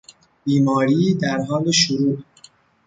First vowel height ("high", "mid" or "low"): high